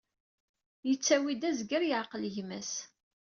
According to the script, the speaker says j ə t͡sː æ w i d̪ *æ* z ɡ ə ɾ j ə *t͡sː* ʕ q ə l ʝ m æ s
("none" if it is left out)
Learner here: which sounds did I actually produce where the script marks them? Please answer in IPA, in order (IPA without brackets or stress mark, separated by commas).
æ, none